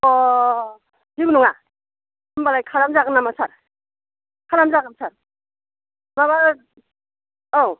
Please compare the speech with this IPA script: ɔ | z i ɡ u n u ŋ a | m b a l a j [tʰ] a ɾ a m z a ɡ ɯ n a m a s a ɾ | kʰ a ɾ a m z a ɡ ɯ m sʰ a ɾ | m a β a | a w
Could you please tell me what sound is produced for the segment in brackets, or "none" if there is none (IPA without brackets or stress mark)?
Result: kʰ